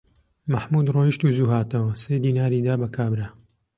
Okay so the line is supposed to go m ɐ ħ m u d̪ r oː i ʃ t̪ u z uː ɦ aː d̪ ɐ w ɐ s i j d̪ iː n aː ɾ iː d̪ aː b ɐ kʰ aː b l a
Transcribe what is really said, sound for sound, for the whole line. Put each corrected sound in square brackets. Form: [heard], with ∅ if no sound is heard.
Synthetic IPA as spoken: m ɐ ħ m u d̪ r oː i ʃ t̪ u z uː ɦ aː [t̪] ɐ w ɐ s [e] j d̪ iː n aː ɾ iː d̪ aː b ɐ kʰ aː b [ɾ] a

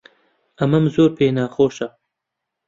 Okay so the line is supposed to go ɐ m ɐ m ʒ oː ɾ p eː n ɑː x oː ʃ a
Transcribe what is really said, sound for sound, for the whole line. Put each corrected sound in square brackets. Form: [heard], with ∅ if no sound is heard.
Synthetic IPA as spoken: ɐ m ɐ m [z] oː ɾ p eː n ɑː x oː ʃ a

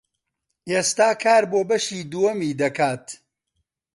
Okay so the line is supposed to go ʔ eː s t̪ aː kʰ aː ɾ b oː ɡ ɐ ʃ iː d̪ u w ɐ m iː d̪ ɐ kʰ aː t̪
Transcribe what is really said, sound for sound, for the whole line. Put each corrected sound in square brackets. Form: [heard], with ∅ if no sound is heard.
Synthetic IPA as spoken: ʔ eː s t̪ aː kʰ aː ɾ b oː [b] ɐ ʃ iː d̪ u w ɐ m iː d̪ ɐ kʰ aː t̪

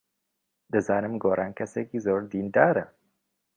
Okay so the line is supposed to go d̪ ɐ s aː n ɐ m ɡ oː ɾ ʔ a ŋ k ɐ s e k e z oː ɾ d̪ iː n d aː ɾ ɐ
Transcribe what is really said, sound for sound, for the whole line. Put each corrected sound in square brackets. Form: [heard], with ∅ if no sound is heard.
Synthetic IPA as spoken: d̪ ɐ [z] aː n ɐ m ɡ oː ɾ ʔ a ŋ k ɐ s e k [i] z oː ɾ d̪ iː n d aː ɾ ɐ

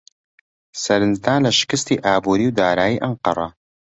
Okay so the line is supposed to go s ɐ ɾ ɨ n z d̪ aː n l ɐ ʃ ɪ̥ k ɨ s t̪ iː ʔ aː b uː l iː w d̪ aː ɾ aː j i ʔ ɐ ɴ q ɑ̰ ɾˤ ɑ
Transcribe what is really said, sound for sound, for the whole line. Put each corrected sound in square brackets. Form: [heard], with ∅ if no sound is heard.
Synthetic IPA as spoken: s ɐ ɾ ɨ n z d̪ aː n l ɐ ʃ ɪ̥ k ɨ s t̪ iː ʔ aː b uː [ɾ] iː w d̪ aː ɾ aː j i ʔ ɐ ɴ q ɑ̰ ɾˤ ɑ

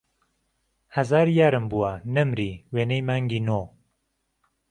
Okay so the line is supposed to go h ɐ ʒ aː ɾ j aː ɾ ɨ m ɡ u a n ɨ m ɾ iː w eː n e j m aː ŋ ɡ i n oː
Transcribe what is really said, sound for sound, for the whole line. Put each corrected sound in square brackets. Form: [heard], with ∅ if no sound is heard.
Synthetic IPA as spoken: h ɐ [z] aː ɾ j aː ɾ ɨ m [b] u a n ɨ m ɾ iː w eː n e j m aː ŋ ɡ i n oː

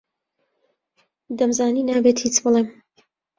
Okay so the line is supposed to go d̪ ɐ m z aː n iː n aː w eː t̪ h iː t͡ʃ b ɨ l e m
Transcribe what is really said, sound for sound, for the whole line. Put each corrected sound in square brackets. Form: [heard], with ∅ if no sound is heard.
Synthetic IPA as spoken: d̪ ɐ m z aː n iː n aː [b] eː t̪ h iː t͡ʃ b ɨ l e m

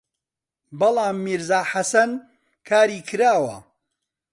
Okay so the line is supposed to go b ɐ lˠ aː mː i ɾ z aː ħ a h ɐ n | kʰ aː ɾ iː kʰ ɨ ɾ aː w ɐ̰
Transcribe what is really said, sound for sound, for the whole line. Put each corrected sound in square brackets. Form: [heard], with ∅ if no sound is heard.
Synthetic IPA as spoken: b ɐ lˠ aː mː i ɾ z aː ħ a [s] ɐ n | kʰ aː ɾ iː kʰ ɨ ɾ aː w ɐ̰

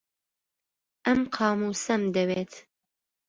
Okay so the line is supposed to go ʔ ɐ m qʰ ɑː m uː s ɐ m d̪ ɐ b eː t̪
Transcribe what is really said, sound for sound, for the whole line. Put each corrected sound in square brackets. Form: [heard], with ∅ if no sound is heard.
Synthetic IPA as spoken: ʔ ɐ m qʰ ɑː m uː s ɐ m d̪ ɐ [w] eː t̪

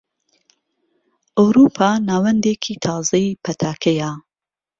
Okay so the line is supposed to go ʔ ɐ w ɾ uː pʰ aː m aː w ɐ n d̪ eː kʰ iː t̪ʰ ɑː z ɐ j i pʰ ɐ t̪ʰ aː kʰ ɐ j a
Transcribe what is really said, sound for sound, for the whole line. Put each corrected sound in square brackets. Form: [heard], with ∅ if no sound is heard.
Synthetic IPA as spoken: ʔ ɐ w ɾ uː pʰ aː [n] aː w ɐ n d̪ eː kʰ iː t̪ʰ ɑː z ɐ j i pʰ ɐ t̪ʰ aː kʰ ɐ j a

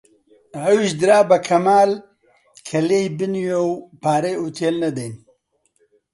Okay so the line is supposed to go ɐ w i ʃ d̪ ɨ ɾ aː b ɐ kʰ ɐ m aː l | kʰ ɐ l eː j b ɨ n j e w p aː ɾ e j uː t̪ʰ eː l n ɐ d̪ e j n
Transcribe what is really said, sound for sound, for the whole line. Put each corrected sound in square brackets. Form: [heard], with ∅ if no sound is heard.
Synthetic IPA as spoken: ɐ w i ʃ d̪ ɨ ɾ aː b ɐ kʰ ɐ m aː l | kʰ ɐ l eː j b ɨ n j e w p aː ɾ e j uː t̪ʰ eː l n ɐ d̪ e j n

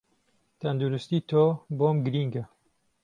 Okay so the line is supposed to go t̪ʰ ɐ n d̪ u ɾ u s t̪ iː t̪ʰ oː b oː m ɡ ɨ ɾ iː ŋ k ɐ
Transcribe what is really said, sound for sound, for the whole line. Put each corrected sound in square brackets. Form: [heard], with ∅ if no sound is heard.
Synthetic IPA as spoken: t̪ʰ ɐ n d̪ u ɾ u s t̪ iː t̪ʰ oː b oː m ɡ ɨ ɾ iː ŋ [ɡ] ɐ

